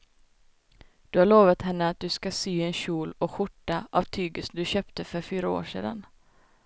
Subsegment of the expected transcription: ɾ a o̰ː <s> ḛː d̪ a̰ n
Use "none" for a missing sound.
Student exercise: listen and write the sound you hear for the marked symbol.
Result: ʂ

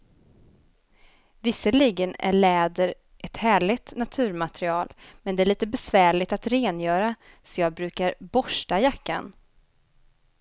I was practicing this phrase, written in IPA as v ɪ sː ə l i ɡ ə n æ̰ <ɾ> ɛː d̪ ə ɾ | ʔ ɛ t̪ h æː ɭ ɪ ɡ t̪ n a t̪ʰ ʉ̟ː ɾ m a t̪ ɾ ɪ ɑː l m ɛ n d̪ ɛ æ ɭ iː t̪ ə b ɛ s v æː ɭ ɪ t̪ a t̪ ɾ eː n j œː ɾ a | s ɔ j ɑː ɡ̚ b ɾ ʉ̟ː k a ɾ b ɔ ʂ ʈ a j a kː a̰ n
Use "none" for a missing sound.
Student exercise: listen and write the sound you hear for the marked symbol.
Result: ɭ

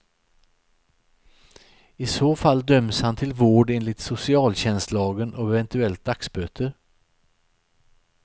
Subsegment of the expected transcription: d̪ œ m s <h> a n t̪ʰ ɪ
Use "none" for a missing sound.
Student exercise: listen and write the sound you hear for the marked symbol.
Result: h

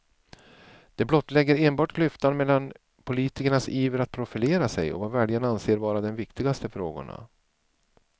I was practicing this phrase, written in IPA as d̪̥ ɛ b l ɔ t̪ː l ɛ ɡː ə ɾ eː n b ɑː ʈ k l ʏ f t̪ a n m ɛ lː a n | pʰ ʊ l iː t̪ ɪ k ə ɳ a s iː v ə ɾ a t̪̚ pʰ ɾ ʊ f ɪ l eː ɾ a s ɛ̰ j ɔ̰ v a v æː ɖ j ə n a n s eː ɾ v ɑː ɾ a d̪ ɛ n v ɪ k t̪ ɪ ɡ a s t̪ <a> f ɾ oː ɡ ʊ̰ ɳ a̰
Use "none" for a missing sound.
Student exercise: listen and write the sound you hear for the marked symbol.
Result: ə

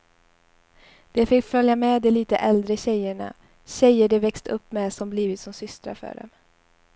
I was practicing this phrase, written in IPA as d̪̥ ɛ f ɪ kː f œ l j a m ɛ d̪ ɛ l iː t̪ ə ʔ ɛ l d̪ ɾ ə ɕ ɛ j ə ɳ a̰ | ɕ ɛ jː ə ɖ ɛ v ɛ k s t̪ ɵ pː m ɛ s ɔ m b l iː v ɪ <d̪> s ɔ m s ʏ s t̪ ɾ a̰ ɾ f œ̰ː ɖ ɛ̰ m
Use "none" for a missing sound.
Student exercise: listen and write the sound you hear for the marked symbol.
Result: t̪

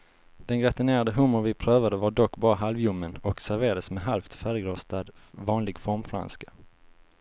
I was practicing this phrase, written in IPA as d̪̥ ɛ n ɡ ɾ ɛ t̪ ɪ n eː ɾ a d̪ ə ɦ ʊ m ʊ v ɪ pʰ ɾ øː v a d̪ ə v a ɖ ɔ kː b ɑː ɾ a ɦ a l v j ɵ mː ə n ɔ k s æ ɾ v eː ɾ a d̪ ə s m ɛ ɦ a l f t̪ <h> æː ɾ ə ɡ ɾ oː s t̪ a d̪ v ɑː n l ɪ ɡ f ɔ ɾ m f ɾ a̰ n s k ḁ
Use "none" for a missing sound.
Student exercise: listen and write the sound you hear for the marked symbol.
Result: f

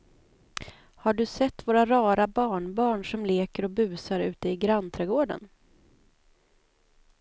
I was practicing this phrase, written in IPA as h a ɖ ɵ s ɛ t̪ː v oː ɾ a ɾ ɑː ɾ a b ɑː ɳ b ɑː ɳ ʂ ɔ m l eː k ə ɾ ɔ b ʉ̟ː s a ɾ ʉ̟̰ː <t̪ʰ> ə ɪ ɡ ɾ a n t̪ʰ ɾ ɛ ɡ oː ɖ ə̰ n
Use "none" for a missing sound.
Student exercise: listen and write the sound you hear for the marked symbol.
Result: t̪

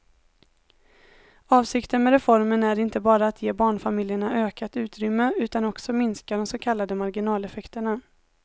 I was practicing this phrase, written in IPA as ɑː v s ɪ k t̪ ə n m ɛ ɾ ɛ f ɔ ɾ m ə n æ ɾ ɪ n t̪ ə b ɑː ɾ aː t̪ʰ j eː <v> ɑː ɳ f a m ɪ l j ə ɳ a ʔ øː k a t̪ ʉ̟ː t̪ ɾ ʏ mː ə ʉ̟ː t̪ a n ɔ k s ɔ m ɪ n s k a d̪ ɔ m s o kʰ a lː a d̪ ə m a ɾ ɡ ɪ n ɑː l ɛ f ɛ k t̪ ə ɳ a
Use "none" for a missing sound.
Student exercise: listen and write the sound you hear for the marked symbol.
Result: b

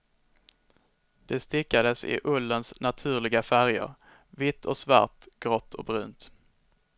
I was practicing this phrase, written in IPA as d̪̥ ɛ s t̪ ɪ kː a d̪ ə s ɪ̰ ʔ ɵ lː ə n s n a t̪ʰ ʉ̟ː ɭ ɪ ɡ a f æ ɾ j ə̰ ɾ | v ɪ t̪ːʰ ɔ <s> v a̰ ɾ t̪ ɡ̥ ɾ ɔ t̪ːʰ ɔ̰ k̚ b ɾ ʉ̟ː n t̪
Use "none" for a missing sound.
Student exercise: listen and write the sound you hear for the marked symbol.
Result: s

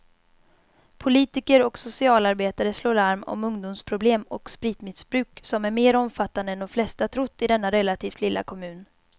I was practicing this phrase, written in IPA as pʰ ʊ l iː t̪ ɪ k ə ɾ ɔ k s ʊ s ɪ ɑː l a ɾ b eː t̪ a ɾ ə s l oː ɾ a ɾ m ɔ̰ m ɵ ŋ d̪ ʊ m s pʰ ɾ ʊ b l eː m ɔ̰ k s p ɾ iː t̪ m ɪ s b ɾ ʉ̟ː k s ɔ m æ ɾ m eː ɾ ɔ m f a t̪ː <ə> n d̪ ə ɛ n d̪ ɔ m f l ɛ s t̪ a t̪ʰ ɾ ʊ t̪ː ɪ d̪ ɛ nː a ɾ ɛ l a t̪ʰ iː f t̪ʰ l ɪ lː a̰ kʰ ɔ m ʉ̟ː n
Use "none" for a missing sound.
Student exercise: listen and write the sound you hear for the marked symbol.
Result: a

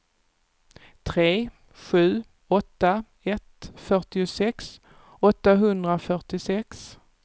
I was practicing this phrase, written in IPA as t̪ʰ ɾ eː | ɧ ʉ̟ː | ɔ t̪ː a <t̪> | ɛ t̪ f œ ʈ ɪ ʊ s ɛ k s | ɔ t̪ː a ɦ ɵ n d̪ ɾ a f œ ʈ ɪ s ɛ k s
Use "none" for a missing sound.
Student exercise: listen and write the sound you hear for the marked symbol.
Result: none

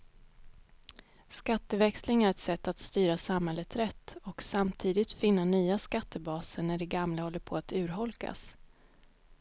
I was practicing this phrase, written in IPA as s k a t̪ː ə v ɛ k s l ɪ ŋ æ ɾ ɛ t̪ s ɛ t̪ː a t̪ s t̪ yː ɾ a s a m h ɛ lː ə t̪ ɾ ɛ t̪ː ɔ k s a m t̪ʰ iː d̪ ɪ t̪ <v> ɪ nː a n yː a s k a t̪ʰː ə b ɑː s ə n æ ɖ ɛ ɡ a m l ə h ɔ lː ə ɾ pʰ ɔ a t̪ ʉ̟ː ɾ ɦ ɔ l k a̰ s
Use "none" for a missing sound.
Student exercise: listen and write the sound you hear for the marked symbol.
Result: f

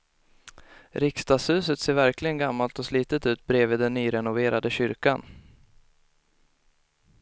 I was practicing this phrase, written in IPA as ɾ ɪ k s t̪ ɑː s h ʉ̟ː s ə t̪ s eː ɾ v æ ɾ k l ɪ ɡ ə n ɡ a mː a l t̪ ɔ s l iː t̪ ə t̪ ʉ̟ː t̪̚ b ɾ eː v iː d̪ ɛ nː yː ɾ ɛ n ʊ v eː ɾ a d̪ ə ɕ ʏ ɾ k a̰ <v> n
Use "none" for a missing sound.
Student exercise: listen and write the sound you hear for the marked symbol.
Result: none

